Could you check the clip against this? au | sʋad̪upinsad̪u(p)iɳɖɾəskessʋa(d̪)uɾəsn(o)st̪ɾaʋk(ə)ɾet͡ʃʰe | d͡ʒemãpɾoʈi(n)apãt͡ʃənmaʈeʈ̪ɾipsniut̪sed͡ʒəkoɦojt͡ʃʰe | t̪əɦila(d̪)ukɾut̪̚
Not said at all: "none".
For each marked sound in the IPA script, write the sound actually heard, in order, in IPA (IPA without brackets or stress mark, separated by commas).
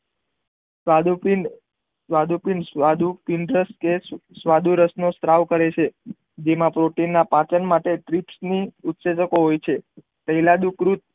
p, d̪, o, ə, nː, d̪